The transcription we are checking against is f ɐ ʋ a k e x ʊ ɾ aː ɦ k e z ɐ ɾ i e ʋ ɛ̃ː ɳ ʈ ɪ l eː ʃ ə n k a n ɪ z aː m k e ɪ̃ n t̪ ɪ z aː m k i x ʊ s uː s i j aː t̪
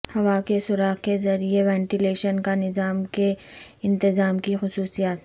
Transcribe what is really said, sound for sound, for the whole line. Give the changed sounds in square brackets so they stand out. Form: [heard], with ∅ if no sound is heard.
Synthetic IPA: [h] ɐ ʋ a k e [s] ʊ ɾ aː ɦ k e z ɐ ɾ i e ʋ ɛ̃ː ɳ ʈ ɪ l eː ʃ ə n k a n ɪ z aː m k e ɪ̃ n t̪ ɪ z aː m k i x ʊ s uː s i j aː t̪